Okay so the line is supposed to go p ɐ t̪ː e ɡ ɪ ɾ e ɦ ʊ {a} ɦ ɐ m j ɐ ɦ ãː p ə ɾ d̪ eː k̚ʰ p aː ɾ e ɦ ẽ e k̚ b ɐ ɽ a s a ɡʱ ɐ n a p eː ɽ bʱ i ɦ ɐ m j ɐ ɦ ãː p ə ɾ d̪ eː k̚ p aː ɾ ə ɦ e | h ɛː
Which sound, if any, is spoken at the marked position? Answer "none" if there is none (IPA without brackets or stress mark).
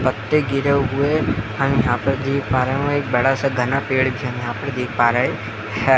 e